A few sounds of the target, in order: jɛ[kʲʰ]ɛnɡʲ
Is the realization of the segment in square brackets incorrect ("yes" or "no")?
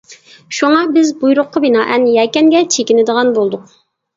yes